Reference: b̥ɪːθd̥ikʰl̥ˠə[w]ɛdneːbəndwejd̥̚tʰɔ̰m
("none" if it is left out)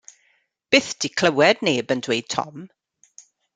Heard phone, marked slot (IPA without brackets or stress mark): w